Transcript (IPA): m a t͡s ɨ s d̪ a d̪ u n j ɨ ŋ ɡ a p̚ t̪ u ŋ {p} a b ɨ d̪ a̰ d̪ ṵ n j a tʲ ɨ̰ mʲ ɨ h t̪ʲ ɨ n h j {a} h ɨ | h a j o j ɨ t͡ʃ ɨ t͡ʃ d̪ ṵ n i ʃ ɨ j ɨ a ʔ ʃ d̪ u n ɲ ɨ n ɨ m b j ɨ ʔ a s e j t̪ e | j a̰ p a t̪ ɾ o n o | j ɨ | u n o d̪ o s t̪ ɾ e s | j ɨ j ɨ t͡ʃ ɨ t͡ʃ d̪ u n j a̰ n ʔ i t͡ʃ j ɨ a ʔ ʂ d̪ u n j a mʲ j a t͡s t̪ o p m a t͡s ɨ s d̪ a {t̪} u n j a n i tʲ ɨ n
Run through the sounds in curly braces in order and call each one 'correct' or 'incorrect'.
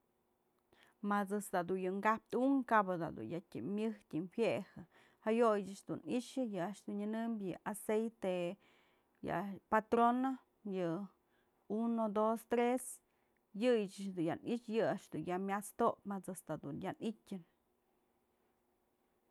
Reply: incorrect: k, incorrect: e, incorrect: d̪

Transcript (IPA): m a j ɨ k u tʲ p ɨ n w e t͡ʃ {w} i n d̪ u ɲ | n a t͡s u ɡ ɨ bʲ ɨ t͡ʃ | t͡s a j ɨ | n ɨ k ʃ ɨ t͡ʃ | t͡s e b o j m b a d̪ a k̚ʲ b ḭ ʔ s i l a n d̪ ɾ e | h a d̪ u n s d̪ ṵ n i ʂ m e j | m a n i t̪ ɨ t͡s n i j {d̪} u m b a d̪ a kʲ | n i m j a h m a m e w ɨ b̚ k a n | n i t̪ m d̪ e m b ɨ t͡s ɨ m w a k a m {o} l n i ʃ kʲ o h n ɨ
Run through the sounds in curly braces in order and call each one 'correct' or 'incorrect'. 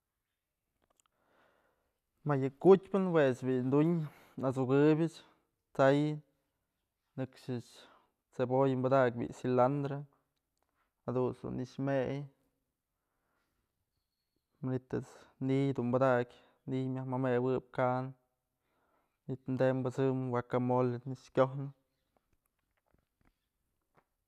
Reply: incorrect: b, correct, correct

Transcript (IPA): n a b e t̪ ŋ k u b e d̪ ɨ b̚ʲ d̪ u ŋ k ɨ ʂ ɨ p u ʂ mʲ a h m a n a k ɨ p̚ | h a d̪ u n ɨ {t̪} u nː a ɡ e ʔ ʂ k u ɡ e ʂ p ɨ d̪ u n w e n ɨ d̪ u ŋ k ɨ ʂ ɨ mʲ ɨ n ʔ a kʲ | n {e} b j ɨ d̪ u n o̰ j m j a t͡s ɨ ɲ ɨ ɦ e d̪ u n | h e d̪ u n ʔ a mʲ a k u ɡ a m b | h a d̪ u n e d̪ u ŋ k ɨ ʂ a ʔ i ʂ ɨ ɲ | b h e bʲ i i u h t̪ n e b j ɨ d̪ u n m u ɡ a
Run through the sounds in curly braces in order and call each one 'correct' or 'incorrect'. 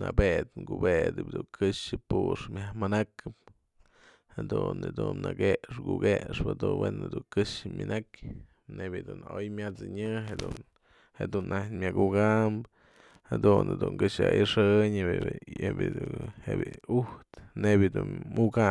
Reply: incorrect: d̪, correct

